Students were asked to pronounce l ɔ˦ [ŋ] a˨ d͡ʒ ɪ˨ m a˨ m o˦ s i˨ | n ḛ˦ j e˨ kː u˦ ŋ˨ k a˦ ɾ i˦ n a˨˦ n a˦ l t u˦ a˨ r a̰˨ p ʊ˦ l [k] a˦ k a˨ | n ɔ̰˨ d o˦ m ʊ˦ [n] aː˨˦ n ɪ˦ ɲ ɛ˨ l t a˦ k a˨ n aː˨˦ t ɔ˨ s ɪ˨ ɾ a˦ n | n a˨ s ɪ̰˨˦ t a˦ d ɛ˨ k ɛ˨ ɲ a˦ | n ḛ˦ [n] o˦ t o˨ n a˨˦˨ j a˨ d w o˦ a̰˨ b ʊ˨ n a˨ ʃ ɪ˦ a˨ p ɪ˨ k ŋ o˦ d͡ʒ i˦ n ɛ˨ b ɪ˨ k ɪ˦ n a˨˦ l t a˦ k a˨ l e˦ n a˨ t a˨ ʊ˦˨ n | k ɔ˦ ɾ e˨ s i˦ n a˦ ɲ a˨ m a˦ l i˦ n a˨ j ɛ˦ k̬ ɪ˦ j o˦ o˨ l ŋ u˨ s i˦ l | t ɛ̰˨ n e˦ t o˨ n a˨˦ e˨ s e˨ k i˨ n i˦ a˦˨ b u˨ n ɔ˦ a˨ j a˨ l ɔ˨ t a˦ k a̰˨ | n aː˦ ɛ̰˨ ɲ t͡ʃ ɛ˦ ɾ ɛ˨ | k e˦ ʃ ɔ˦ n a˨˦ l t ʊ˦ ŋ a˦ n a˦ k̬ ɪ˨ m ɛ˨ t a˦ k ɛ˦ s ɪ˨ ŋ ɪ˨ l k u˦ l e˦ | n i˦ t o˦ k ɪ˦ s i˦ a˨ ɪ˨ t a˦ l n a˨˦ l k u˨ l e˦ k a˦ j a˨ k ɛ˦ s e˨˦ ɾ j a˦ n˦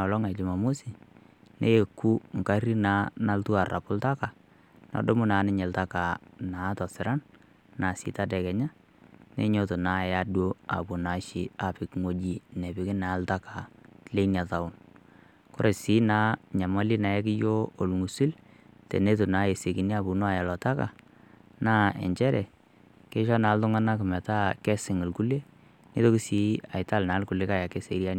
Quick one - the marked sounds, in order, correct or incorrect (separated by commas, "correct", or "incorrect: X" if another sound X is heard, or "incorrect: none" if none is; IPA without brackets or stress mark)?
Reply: correct, incorrect: t, correct, incorrect: ɲ